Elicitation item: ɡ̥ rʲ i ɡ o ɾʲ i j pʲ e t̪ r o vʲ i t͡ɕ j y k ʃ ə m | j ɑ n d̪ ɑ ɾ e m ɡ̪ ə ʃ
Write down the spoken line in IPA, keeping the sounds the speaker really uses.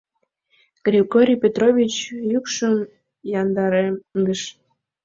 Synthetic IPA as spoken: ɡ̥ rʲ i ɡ o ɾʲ i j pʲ e t̪ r o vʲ i t͡ɕ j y k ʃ ə m | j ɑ n d̪ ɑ ɾ e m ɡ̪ ə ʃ